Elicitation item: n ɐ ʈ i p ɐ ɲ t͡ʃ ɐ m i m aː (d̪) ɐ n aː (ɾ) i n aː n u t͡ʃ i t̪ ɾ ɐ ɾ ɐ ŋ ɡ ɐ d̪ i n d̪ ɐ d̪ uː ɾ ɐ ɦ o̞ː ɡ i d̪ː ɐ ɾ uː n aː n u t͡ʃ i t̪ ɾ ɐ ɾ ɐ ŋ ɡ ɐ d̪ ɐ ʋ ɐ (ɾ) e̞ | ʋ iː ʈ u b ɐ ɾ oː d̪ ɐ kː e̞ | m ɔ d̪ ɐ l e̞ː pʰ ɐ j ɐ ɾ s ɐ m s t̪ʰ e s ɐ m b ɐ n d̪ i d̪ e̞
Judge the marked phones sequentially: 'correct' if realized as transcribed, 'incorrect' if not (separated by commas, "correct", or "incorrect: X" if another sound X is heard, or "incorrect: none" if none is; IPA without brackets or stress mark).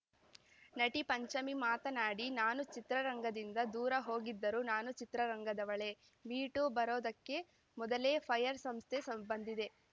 incorrect: t̪, incorrect: ɽ, incorrect: ɭ